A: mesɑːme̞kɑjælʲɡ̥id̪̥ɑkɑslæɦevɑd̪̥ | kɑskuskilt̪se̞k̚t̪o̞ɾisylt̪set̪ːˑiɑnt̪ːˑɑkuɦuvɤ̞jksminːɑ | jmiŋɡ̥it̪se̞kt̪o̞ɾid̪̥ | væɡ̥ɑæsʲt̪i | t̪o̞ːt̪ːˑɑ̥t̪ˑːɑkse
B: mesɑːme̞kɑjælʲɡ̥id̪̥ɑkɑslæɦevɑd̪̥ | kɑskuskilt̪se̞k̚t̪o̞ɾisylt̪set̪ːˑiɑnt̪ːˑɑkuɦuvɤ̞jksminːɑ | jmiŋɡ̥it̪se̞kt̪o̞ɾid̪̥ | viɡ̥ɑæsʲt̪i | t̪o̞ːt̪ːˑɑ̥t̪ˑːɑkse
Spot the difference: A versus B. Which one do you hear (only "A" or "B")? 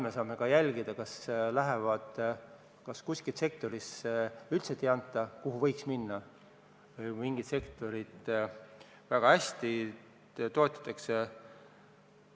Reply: A